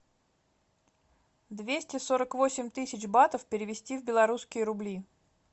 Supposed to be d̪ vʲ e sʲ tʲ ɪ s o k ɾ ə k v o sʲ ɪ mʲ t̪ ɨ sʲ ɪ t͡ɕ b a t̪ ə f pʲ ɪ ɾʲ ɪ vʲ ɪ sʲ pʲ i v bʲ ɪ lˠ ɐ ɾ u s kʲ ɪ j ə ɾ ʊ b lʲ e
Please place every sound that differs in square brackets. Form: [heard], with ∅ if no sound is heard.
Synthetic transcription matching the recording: d̪ vʲ e sʲ tʲ ɪ s o [∅] ɾ ə k v o sʲ ɪ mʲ t̪ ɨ sʲ ɪ t͡ɕ b a t̪ ə f pʲ ɪ ɾʲ ɪ vʲ ɪ sʲ [tʲ] i v bʲ ɪ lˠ ɐ ɾ u s kʲ ɪ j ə ɾ ʊ b lʲ [i]